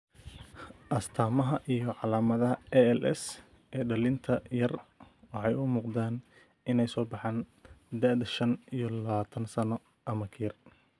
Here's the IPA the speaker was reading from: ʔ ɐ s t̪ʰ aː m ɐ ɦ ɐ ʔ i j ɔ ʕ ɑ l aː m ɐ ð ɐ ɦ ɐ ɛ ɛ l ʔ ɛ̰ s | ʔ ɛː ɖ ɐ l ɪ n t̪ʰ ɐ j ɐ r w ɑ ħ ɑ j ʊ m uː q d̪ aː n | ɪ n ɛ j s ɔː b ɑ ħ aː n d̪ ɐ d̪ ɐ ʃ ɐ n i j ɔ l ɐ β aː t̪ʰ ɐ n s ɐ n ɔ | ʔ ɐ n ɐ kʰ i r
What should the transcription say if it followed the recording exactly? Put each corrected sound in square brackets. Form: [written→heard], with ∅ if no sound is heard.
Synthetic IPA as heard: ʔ ɐ s t̪ʰ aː m ɐ ɦ ɐ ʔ i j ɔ ʕ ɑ l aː m ɐ ð ɐ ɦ ɐ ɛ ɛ l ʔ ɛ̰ s | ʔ ɛː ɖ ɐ l ɪ n t̪ʰ ɐ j ɐ r w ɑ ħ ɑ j ʊ m uː q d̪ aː n | ɪ n ɛ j s ɔː b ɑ ħ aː n d̪ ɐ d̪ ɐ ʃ ɐ n i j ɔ l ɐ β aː t̪ʰ ɐ n s ɐ n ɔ | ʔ ɐ [n→m] ɐ kʰ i r